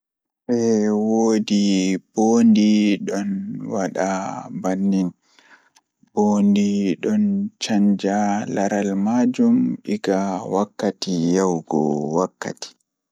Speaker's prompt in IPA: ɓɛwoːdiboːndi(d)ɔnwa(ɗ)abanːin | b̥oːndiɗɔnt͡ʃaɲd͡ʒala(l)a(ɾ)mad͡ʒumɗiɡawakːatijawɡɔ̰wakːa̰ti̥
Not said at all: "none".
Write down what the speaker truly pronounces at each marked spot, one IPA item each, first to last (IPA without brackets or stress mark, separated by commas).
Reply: ɗ, ɗ, ɾ, l